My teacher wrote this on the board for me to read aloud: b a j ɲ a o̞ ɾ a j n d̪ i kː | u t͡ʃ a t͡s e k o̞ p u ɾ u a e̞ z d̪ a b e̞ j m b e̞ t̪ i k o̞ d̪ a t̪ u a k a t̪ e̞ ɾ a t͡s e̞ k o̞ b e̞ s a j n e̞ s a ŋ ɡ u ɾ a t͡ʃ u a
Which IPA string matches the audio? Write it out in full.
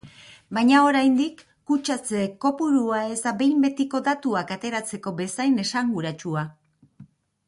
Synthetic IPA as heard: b a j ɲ a o̞ ɾ a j n d̪ i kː | u t͡ʃ a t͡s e k o̞ p u ɾ u a e̞ z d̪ a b e̞ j m b e̞ t̪ i k o̞ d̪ a t̪ u a k a t̪ e̞ ɾ a t͡s e̞ k o̞ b e̞ s a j n e̞ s a ŋ ɡ u ɾ a t͡ʃ u a